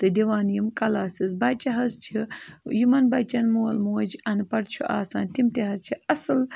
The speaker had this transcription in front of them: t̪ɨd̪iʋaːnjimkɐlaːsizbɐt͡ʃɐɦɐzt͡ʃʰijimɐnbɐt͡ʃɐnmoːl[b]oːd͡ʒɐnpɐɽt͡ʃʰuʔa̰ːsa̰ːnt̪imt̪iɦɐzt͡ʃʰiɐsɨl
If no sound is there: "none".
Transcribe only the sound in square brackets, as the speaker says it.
m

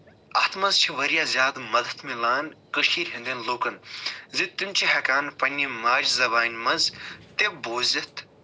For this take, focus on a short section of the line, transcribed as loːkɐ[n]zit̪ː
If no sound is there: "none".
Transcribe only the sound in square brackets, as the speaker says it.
n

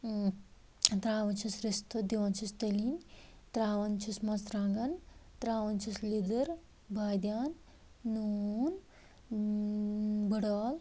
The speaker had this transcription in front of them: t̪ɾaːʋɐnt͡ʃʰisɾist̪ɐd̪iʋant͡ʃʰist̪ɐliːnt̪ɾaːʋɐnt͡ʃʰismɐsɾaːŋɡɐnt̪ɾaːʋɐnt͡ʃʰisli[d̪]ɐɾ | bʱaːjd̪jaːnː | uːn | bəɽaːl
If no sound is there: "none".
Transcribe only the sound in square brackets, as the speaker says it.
d̪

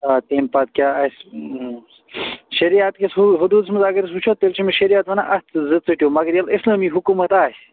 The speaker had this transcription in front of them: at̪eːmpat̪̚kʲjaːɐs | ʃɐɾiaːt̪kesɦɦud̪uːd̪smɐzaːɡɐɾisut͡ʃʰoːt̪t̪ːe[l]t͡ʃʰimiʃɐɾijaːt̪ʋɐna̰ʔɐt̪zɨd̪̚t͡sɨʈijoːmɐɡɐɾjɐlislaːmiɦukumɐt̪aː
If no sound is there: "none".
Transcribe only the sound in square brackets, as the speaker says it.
l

